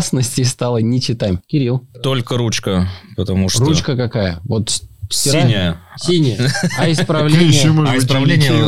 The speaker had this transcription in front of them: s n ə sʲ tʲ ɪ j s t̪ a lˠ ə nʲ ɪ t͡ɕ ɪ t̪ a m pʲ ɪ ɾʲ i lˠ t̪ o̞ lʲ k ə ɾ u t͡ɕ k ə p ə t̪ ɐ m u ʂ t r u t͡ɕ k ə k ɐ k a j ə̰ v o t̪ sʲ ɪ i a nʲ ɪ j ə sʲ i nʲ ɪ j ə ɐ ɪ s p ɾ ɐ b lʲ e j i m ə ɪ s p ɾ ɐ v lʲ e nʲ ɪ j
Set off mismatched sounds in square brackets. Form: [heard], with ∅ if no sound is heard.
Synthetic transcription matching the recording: s n ə sʲ tʲ ɪ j s t̪ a lˠ ə nʲ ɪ t͡ɕ ɪ t̪ a m [kʲ] ɪ ɾʲ i lˠ t̪ o̞ lʲ k ə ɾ u t͡ɕ k ə p ə t̪ ɐ m u ʂ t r u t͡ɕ k ə k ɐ k a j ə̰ v o t̪ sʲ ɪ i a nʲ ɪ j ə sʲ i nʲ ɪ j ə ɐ ɪ s p ɾ ɐ [v] lʲ e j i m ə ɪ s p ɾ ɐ v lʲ e nʲ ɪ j